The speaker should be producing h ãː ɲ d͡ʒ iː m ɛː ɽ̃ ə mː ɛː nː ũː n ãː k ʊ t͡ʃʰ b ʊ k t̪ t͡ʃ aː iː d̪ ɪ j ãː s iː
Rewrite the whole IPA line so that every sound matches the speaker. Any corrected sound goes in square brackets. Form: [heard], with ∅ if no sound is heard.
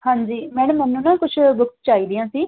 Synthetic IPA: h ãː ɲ d͡ʒ iː m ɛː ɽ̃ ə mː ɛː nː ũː n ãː k ʊ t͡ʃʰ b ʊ k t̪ t͡ʃ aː iː d̪ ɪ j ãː s iː